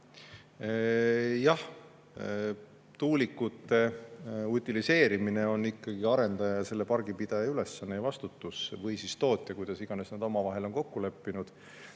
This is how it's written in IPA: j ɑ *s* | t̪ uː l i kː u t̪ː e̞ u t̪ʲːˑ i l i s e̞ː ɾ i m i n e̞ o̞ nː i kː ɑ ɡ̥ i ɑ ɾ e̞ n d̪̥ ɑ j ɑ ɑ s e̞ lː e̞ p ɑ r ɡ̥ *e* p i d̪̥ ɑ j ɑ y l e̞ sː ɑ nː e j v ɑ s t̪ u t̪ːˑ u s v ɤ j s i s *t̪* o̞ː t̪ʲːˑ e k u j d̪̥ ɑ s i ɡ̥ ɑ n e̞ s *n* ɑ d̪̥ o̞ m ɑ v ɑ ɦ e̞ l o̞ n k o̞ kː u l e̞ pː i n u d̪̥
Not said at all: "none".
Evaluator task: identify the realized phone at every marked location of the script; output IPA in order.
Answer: h, i, t̪, n

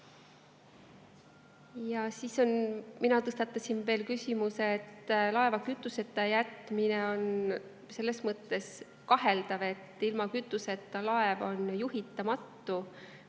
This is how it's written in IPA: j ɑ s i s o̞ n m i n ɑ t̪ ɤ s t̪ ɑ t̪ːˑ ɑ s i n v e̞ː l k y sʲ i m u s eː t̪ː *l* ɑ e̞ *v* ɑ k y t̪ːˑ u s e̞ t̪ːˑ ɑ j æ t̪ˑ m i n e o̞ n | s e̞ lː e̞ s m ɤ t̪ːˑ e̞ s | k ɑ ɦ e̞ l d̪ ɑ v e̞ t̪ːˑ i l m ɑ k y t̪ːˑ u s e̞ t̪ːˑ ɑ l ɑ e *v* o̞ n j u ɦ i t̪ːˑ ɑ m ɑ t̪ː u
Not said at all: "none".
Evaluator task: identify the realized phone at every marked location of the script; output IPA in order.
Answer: l, v, v

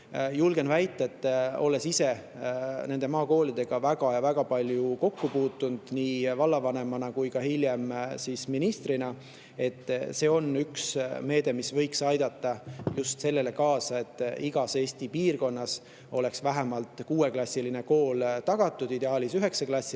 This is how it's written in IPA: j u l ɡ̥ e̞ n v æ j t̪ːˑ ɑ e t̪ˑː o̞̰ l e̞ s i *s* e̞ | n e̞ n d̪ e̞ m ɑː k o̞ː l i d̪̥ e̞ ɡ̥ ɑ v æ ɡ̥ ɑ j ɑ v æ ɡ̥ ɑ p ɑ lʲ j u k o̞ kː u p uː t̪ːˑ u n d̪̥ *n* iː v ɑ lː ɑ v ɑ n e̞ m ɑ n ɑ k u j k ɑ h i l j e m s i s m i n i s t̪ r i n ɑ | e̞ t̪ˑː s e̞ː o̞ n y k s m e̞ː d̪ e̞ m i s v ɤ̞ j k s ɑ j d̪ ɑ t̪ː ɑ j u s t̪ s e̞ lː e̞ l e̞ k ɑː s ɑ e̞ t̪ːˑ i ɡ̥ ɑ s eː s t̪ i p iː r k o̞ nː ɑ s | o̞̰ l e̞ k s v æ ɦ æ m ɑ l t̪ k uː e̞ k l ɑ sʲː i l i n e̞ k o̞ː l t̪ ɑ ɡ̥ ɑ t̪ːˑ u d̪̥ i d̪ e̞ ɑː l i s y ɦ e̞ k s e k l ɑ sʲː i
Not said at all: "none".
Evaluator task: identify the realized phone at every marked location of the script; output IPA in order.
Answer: s, n

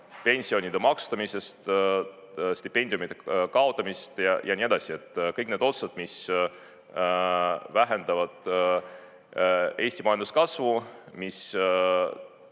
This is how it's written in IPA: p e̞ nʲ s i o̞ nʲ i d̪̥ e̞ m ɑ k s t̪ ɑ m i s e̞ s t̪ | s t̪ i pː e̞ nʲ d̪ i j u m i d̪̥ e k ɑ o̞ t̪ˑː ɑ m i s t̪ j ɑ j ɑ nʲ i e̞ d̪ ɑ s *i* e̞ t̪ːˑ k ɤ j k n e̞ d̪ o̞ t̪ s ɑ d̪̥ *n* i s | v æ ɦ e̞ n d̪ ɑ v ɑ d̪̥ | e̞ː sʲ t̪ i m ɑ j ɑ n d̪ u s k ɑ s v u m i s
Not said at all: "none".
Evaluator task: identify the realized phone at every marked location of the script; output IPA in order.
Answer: i, m

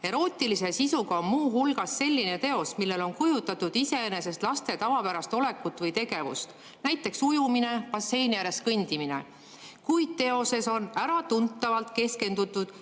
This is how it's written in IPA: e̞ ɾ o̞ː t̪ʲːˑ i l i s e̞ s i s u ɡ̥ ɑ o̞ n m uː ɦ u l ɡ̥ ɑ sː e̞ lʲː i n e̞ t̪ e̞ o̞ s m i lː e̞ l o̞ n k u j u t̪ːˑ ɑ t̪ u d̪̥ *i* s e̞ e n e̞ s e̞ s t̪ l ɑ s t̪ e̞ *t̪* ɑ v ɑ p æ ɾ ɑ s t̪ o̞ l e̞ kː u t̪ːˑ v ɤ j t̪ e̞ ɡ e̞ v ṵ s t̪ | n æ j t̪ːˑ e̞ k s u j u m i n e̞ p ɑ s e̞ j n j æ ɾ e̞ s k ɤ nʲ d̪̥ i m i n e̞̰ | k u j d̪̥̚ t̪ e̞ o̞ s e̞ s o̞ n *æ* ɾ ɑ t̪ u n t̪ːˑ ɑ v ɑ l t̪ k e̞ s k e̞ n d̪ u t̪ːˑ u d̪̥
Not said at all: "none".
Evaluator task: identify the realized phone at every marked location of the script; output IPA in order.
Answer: i, t̪, æ

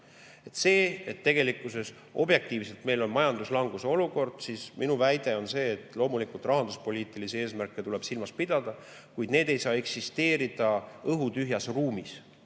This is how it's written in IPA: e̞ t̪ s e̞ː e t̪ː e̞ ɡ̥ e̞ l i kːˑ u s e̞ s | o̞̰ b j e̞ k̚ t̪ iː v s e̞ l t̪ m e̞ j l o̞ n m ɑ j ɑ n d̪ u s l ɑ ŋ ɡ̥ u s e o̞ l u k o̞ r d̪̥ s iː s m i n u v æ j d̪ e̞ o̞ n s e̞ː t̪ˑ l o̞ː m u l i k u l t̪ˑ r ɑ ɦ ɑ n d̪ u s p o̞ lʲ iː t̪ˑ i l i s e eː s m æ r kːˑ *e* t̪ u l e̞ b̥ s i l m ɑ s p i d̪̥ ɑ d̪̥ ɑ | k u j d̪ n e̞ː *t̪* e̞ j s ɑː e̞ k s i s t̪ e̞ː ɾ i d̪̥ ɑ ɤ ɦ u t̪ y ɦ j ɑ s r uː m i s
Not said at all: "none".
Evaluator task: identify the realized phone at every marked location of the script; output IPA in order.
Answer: e, d̪

